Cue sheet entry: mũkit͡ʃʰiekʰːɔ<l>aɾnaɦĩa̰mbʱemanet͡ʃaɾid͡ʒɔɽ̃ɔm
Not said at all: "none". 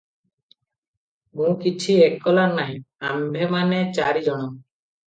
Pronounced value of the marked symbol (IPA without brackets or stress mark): l